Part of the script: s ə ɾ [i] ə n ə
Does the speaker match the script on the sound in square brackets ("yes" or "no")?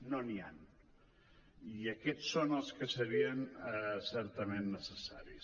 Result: yes